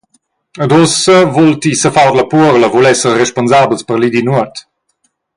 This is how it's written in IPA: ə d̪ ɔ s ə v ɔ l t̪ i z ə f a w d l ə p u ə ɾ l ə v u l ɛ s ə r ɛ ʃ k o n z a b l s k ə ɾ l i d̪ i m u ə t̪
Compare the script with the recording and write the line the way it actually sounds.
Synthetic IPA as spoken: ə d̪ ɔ s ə v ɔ l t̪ i s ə f a w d l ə p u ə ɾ l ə v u l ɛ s ə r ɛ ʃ p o n z a b l s p ə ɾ l i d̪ i n u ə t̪